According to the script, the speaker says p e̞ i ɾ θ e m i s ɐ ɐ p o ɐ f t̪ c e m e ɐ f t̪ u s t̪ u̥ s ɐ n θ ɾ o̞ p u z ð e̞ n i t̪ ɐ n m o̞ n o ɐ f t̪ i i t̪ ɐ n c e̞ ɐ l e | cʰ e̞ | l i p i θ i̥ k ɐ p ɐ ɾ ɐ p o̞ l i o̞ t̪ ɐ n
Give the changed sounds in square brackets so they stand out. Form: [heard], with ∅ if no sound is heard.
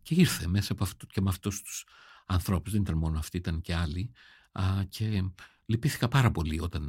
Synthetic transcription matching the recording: [c] e̞ i ɾ θ e m [e] s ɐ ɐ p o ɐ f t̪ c e m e ɐ f t̪ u s t̪ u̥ s ɐ n θ ɾ o̞ p u z ð e̞ n i t̪ ɐ n m o̞ n o ɐ f t̪ i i t̪ ɐ n c e̞ ɐ l [i] | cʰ e̞ | l i p i θ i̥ k ɐ p ɐ ɾ ɐ p o̞ l i o̞ t̪ ɐ n